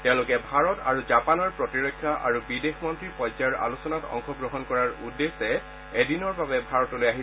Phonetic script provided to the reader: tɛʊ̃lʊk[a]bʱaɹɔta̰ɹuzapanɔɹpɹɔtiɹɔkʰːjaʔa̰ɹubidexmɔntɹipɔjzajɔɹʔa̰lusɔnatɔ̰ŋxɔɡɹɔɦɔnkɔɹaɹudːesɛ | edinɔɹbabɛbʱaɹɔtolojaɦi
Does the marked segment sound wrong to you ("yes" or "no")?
yes